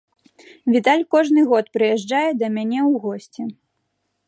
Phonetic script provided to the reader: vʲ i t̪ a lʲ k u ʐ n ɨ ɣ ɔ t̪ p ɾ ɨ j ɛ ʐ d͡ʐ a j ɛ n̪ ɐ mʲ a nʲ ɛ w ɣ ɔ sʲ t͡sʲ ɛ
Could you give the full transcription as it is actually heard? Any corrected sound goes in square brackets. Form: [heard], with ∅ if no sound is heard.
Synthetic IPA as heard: vʲ i t̪ a lʲ k [ɔ] ʐ n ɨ ɣ ɔ t̪ p ɾ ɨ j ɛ ʐ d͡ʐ a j ɛ [d̪] ɐ mʲ a nʲ ɛ w ɣ ɔ sʲ t͡sʲ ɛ